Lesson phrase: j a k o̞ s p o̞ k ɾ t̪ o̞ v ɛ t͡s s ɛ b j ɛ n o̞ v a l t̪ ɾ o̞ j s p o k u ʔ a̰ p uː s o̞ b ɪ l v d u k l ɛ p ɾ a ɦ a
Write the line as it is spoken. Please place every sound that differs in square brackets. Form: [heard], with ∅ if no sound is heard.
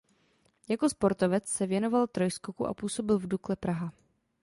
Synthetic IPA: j a k o̞ s p o̞ [∅] ɾ t̪ o̞ v ɛ t͡s s ɛ [v] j ɛ n o̞ v a l t̪ ɾ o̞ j s [k] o k u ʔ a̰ p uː s o̞ b ɪ l v d u k l ɛ p ɾ a ɦ a